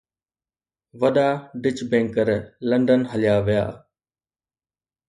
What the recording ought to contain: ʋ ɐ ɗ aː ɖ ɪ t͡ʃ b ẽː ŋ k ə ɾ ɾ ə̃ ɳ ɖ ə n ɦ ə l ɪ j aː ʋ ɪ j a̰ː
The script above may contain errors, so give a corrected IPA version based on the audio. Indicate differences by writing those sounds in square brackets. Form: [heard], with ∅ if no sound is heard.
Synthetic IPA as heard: ʋ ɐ ɗ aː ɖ ɪ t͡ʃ b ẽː ŋ k ə ɾ [l] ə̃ ɳ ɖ ə n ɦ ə l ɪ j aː ʋ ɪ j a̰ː